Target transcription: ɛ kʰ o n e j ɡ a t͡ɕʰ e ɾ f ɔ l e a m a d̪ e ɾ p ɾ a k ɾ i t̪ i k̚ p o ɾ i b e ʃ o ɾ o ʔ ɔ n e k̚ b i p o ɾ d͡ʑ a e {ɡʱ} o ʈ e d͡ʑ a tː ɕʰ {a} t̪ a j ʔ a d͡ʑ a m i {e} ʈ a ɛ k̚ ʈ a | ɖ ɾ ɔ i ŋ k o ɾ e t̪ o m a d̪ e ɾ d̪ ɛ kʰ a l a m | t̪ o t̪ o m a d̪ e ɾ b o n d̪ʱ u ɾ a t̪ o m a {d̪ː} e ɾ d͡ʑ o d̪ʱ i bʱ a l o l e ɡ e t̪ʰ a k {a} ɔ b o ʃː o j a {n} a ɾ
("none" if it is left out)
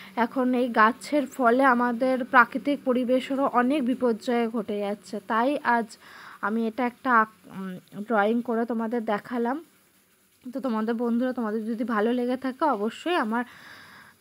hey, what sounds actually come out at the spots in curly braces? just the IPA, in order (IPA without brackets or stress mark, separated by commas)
ɡʱ, e, e, d̪, e, m